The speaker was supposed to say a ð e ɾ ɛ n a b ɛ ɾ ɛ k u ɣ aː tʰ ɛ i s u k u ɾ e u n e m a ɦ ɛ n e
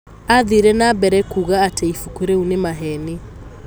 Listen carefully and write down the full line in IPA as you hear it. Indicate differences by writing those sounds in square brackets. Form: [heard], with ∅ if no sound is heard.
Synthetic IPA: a ð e ɾ ɛ n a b ɛ ɾ ɛ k u ɣ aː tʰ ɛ i [f] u k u ɾ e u n e m a ɦ ɛ n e